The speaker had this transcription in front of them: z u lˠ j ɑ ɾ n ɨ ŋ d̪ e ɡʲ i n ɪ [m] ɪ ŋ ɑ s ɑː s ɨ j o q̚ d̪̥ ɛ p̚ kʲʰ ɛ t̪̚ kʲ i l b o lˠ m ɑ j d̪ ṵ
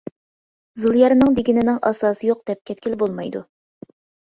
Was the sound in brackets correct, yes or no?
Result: no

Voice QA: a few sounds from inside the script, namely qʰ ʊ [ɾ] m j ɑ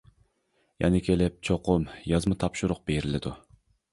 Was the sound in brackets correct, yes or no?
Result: no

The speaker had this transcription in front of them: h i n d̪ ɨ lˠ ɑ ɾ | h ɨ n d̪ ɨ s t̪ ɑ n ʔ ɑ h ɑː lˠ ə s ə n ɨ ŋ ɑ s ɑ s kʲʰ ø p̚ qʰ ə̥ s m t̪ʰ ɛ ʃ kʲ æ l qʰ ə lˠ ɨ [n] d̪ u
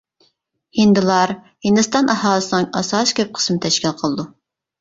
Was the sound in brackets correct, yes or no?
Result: no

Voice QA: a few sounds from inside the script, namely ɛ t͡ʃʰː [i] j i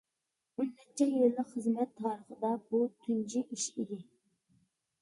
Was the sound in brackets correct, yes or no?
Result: no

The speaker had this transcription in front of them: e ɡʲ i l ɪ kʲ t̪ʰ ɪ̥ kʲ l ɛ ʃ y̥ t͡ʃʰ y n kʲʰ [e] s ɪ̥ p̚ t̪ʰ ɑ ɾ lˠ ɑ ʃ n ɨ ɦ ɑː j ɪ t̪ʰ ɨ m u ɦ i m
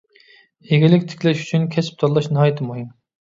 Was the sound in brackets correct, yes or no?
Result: no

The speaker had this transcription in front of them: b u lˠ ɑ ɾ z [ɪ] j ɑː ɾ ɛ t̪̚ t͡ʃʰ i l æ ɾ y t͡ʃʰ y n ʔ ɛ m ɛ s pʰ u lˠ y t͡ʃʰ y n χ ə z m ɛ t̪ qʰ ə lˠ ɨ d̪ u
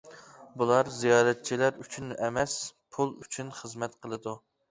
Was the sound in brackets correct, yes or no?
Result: no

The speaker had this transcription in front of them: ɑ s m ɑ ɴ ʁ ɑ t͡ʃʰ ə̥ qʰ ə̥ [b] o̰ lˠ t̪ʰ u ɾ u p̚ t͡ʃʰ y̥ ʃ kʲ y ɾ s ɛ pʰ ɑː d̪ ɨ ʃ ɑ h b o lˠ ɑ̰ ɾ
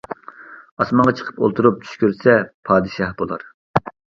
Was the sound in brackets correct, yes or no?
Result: no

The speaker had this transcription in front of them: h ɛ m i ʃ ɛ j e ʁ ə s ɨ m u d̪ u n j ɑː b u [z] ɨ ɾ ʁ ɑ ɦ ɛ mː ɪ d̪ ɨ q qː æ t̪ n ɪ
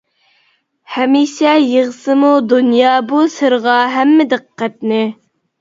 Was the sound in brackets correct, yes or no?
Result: no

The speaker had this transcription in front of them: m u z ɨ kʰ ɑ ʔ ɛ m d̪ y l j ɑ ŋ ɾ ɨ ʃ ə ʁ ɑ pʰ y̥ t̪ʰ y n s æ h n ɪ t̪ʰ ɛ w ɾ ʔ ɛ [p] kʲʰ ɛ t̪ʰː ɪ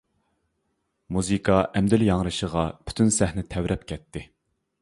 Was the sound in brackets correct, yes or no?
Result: yes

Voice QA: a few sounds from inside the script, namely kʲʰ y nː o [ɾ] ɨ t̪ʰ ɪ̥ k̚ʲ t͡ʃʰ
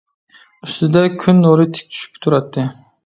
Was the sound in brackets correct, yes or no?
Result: yes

